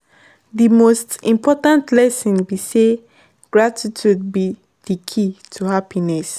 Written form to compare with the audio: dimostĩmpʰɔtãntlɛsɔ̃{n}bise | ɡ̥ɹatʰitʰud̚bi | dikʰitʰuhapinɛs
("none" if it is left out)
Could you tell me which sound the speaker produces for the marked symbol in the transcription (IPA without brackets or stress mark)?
n